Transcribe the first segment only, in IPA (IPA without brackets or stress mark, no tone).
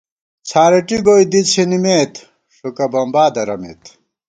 t͡sʰ